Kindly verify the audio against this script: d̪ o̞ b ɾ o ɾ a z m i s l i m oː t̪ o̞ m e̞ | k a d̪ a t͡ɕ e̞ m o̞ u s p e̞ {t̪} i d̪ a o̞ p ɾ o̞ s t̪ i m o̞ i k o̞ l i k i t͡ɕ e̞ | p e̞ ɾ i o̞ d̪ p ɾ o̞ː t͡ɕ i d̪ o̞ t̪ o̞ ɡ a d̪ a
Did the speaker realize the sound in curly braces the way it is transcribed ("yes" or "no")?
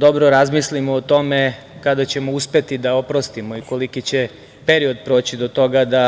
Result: yes